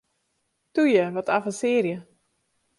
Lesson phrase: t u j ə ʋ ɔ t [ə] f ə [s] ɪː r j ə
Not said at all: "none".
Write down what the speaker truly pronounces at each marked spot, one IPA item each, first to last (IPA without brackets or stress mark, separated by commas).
a, s